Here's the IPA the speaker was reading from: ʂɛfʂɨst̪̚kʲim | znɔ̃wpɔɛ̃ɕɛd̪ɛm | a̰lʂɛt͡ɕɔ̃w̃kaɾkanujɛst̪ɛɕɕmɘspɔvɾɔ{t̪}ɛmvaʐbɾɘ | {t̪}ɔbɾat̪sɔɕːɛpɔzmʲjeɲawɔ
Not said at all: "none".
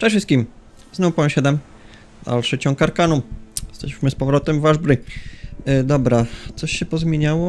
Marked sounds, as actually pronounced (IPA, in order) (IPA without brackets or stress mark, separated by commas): t̪, d̪